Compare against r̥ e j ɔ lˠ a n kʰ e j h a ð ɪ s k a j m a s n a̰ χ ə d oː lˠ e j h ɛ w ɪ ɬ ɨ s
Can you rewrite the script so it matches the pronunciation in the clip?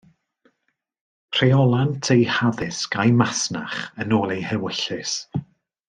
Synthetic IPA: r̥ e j ɔ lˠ a n tʰ e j h a ð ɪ s k a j m a s n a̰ χ ə n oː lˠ e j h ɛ w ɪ ɬ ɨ s